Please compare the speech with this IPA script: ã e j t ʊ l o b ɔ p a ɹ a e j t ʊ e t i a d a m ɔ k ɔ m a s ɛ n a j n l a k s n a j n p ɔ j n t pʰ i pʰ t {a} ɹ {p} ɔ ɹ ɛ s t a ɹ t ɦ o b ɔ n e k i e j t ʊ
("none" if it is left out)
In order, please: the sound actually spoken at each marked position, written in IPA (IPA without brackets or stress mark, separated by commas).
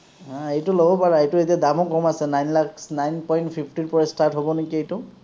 i, p